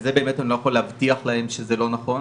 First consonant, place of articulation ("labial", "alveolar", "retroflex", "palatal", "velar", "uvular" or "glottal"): alveolar